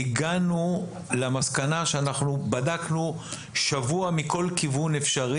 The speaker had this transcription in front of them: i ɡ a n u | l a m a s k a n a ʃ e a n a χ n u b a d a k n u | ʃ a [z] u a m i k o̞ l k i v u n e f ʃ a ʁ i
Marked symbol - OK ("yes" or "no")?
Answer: no